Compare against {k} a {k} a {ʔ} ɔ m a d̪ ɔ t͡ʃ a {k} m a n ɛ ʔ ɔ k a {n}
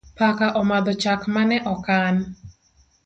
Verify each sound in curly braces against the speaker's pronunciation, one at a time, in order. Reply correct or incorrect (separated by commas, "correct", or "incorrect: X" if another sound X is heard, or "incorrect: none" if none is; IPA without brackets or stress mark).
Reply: incorrect: p, correct, correct, correct, correct